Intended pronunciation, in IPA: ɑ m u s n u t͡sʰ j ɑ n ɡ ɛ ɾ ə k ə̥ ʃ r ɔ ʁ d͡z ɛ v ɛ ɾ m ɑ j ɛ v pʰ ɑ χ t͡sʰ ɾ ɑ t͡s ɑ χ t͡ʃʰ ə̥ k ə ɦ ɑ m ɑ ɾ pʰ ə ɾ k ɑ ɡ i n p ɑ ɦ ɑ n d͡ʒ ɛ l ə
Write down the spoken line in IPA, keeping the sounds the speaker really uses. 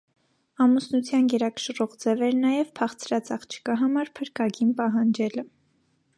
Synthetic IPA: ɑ m u s n u t͡sʰ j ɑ n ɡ ɛ ɾ ɑ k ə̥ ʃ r ɔ ʁ d͡z ɛ v ɛ ɾ n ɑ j ɛ v pʰ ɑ χ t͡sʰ ɾ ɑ t͡s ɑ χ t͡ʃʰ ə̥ k ɑ ɦ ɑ m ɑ ɾ pʰ ə ɾ k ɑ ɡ i n p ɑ ɦ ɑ n d͡ʒ ɛ l ə